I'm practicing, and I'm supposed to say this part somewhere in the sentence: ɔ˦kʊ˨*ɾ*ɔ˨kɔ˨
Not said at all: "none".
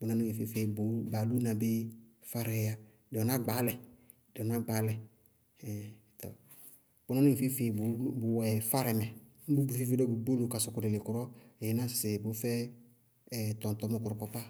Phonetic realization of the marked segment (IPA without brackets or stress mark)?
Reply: ɾ